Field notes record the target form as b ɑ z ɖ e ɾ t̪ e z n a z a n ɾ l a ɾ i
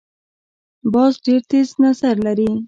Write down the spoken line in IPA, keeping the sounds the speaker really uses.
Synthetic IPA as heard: b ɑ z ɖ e ɾ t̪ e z n a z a ɾ l a ɾ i